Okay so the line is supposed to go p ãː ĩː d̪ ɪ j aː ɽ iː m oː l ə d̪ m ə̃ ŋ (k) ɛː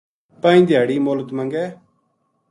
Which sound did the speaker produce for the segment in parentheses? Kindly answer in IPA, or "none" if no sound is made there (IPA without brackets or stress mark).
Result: ɡ